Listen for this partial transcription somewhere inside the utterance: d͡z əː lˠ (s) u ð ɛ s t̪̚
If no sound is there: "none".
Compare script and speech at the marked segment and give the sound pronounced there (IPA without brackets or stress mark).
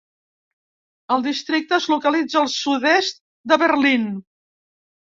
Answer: s